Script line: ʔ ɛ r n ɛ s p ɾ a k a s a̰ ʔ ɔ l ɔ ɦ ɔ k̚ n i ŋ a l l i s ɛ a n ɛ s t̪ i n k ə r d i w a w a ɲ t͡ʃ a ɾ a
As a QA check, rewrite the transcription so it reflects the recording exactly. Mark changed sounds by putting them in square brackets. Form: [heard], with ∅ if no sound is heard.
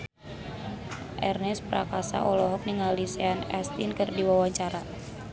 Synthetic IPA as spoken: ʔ ɛ r n ɛ s p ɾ a k a s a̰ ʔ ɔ l ɔ ɦ ɔ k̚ n i ŋ a l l i s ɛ a n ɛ s t̪ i n k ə r d i w a w a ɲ t͡ʃ a ɾ a